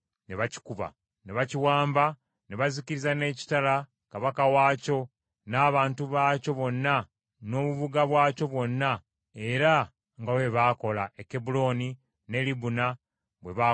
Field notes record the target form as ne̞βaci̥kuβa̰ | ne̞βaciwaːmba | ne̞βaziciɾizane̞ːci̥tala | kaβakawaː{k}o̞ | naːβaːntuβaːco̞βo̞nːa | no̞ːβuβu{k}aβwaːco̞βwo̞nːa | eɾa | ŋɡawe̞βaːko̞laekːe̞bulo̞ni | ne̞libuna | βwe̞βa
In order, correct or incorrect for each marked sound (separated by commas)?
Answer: incorrect, incorrect